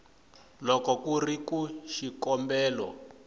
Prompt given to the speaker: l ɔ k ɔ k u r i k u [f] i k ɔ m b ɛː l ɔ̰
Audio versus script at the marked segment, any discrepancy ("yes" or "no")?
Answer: yes